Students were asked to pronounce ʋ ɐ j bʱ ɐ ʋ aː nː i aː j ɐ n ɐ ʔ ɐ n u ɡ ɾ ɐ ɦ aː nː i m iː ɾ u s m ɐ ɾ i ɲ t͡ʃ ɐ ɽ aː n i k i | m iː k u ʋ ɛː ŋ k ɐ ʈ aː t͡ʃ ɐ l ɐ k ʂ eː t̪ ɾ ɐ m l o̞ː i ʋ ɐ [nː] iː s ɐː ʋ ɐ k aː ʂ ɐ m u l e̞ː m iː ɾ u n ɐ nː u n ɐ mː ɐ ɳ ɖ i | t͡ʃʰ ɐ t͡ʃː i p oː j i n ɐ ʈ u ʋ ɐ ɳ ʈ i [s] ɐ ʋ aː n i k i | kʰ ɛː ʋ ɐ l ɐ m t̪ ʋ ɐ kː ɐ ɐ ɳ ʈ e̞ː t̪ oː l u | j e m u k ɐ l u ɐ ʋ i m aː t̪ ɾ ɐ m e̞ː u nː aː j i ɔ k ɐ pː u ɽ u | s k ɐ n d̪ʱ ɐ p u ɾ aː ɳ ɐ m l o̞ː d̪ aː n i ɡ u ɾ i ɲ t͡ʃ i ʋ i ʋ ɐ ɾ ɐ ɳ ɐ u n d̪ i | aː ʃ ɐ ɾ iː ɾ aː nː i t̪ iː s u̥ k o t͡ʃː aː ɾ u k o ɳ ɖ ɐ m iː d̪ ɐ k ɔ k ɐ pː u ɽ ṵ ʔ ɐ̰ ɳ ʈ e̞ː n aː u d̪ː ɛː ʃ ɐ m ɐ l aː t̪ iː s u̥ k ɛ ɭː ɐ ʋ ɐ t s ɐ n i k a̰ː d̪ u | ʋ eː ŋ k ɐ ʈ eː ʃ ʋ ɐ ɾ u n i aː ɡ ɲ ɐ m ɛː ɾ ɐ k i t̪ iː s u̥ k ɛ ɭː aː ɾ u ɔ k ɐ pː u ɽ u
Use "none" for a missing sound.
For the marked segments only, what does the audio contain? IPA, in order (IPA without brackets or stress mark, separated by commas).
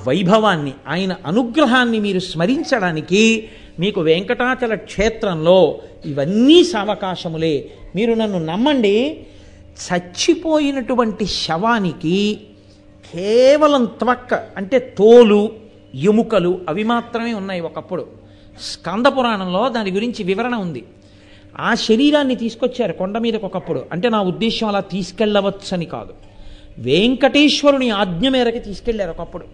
nː, ʃ